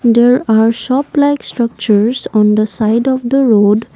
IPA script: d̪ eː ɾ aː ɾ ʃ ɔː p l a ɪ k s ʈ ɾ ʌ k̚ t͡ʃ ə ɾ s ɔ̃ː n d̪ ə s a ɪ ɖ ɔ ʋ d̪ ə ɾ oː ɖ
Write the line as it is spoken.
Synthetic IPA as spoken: d̪ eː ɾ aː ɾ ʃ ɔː p l a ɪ k s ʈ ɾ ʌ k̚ t͡ʃ ə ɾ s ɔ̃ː n d̪ ə s a ɪ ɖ ɔ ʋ d̪ ə ɾ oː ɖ